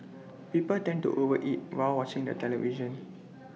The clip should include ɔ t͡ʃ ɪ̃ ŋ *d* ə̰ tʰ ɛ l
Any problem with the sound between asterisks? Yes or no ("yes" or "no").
no